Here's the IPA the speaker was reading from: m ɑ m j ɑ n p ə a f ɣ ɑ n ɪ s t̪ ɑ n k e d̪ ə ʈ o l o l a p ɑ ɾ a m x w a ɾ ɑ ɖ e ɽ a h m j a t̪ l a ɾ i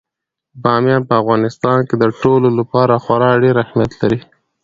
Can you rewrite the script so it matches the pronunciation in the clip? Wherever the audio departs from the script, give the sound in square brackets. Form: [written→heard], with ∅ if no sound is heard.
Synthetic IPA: [m→b] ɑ m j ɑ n p ə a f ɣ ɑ n ɪ s t̪ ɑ n k e d̪ ə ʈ o l o l a p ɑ ɾ a [m→∅] x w a ɾ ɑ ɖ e [ɽ→ɾ] a h m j a t̪ l a ɾ i